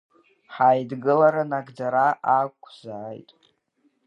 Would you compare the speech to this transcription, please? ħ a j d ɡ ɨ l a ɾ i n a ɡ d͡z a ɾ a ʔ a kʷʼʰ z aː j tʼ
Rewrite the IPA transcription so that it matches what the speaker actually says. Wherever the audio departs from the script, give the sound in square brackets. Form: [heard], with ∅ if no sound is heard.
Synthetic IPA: ħ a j d ɡ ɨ l a ɾ [a] n a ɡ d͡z a ɾ a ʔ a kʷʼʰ z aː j tʼ